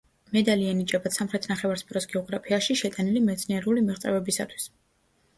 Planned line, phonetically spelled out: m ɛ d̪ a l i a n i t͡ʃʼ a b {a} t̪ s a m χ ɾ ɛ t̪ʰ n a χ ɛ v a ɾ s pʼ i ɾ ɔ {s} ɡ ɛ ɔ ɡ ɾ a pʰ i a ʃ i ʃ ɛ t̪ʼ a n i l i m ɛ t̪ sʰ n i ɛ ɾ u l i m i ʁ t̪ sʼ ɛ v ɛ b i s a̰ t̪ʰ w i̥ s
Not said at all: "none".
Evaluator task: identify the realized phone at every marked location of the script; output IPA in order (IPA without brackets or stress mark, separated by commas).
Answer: a, s